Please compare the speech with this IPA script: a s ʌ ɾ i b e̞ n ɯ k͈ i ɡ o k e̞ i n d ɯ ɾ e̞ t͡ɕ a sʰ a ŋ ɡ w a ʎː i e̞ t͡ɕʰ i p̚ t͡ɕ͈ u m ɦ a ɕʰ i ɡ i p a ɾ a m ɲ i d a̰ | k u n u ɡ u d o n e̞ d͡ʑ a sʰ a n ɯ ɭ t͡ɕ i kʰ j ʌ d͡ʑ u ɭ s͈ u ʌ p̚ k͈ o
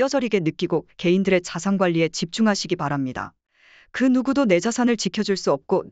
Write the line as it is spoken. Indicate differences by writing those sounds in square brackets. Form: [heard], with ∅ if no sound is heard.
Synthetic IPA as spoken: [ʌ] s ʌ ɾ i [ɡ] e̞ n ɯ k͈ i ɡ o k e̞ i n d ɯ ɾ e̞ t͡ɕ a sʰ a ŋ ɡ w a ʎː i e̞ [t͡ɕ] i p̚ t͡ɕ͈ u [ŋ] ɦ a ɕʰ i ɡ i p a ɾ a m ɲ i d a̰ | k [ɯ] n u ɡ u d o n e̞ d͡ʑ a sʰ a n ɯ ɭ t͡ɕ i kʰ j ʌ d͡ʑ u ɭ s͈ u ʌ p̚ k͈ o